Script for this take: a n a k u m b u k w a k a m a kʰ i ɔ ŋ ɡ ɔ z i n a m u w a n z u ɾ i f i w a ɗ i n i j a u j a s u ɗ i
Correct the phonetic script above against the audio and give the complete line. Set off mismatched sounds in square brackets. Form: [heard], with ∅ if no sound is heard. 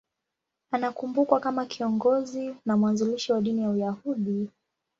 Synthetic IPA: a n a k u m b u k w a k a m a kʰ i ɔ ŋ ɡ ɔ z i n a m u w a n z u [l] i [ʃ] i w a ɗ i n i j a u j a [h] u ɗ i